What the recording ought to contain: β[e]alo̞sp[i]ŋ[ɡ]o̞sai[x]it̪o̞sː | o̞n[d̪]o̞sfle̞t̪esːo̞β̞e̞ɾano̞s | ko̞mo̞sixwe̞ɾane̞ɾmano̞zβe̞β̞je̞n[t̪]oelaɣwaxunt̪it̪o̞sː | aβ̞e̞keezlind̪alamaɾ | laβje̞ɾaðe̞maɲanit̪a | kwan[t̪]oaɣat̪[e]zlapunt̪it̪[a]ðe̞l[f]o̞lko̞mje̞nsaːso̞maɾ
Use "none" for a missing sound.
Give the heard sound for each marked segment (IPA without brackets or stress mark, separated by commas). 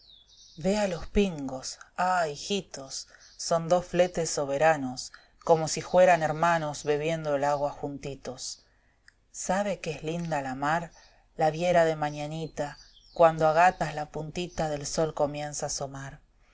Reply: e, i, ɡ, x, d̪, d̪, d̪, a, a, s